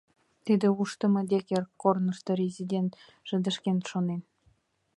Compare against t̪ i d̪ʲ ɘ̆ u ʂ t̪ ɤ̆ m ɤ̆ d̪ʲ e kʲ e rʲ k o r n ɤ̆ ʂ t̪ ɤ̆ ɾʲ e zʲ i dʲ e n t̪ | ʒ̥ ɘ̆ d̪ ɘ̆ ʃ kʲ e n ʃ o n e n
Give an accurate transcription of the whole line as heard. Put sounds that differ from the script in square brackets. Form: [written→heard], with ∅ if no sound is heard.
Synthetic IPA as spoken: t̪ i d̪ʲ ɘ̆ u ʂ t̪ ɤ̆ m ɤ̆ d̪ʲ e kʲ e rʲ k o r n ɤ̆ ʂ t̪ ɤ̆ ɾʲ e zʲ i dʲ e n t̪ | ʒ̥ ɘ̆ d̪ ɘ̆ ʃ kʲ e n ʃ o n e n